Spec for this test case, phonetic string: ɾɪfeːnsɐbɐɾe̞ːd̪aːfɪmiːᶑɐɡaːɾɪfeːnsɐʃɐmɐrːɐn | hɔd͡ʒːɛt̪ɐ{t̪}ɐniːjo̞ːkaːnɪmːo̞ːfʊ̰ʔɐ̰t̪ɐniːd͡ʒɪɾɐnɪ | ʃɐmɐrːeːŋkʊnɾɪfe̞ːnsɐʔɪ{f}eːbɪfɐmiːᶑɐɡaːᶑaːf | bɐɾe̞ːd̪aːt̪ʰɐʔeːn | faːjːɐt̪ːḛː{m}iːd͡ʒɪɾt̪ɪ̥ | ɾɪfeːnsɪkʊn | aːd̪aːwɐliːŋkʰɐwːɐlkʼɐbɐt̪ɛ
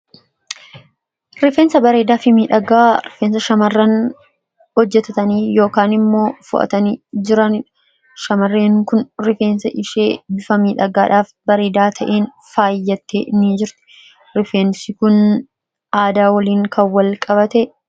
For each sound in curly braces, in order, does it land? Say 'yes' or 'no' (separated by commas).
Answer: yes, no, no